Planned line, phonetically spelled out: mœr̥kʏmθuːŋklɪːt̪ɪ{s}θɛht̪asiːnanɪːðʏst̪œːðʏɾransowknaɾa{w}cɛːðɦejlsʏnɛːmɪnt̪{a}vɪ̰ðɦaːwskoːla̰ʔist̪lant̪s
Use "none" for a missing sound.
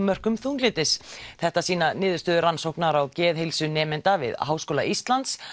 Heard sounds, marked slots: s, w, a

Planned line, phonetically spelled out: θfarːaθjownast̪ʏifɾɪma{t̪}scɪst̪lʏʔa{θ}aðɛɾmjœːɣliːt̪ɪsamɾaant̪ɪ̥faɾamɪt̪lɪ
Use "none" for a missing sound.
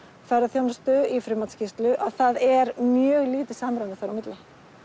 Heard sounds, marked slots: t̪, θ

